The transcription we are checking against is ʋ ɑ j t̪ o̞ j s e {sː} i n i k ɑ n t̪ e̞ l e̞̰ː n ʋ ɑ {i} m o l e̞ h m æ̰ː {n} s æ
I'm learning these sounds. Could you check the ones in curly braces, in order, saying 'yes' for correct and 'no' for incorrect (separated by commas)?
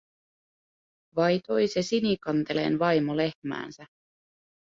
no, no, yes